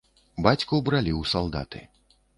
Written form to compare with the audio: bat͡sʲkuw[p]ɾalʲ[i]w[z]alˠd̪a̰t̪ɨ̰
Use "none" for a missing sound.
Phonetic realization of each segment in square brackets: b, i, s

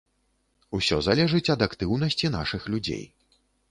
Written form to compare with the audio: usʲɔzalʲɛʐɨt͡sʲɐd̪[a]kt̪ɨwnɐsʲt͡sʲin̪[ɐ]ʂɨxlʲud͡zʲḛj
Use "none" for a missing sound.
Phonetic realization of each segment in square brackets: a, a

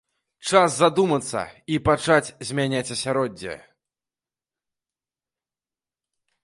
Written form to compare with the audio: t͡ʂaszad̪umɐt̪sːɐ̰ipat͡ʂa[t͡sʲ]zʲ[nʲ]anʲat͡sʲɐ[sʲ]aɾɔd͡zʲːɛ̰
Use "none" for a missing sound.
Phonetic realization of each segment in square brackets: t͡sʲ, mʲ, sʲ

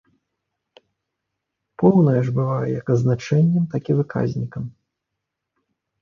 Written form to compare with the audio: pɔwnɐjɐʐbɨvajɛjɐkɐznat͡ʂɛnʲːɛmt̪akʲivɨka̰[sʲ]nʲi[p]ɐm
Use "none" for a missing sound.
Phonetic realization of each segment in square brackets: zʲ, k

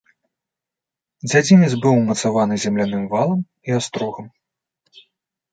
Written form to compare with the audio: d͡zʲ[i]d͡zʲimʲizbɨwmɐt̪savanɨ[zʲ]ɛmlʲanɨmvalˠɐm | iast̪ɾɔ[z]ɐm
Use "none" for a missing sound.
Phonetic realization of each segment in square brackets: a, zʲ, ɣ

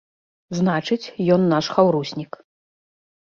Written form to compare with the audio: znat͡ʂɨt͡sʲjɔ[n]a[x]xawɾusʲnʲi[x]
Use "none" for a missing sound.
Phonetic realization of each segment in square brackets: nː, ʂ, k

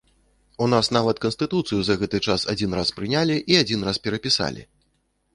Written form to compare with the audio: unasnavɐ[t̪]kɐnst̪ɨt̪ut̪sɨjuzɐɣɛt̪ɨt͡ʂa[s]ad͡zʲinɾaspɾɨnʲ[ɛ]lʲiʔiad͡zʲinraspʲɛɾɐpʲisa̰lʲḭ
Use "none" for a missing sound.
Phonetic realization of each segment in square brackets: t̪, s, a

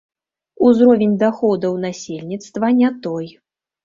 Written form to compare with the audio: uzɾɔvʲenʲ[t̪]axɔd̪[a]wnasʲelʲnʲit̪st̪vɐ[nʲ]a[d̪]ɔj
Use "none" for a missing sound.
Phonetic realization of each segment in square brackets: d̪, ɐ, nʲ, t̪

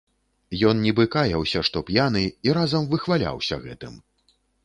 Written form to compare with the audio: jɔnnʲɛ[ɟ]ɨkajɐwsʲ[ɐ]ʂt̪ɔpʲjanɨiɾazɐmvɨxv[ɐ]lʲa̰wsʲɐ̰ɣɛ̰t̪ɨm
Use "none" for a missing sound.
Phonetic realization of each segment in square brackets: b, ɐ, a

